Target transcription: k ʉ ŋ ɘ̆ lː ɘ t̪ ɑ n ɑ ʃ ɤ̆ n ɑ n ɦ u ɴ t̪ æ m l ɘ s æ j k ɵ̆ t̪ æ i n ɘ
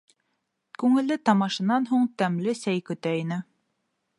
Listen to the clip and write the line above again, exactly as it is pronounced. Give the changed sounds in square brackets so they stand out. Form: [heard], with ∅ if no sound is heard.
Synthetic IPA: k ʉ ŋ ɘ̆ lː ɘ t̪ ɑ [m] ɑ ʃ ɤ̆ n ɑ n ɦ u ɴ t̪ æ m l ɘ s æ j k ɵ̆ t̪ æ i n ɘ